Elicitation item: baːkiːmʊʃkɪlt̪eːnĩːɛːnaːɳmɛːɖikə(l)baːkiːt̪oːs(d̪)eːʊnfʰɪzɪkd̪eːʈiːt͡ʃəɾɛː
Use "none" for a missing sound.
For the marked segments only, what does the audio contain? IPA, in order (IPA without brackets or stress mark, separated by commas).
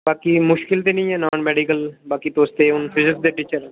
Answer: l, t̪